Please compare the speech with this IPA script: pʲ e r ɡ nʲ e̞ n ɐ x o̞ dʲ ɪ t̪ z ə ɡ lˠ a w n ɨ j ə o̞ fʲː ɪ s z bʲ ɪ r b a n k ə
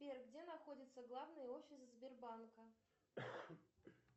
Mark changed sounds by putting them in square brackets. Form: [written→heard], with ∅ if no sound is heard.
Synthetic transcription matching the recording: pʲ e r ɡ [nʲ→dʲ] e̞ n ɐ x o̞ dʲ ɪ t̪ [z→s] ə ɡ lˠ a [w→v] n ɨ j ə o̞ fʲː ɪ s z bʲ ɪ r b a n k ə